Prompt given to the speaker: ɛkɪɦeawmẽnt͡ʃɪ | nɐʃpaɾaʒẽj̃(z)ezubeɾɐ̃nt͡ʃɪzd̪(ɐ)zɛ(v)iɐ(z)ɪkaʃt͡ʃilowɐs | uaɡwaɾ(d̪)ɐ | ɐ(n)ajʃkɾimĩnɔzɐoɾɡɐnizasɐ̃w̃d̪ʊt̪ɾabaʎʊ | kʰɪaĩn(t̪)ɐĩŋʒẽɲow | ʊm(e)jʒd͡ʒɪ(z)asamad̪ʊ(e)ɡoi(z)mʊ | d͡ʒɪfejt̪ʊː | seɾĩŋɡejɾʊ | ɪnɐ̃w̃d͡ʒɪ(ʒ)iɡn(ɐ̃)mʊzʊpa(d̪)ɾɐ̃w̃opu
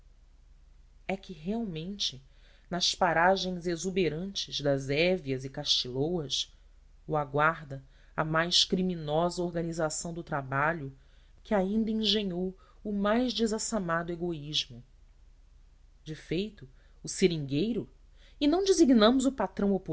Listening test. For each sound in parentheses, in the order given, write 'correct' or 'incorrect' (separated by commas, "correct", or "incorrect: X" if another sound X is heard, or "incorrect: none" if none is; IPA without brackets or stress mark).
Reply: correct, correct, correct, correct, correct, incorrect: m, incorrect: d̪, incorrect: a, correct, correct, incorrect: ʒ, incorrect: z, correct, incorrect: t̪